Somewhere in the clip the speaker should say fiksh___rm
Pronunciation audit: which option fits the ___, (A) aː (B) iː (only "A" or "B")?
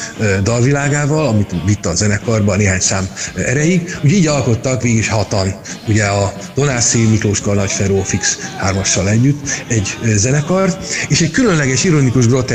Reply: A